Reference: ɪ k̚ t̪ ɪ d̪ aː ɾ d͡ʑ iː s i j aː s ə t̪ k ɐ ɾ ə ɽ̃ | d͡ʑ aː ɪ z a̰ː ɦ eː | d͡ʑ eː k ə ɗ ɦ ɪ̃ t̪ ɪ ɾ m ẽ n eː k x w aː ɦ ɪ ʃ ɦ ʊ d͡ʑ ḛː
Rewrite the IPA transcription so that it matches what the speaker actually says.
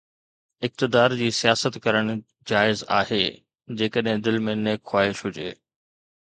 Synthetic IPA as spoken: ɪ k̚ t̪ ɪ d̪ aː ɾ d͡ʑ iː s i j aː s ə t̪ k ɐ ɾ ə ɽ̃ | d͡ʑ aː ɪ z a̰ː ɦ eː | d͡ʑ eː k ə ɗ ɦ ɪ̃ d̪ ɪ l m ẽ n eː k x w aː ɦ ɪ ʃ ɦ ʊ d͡ʑ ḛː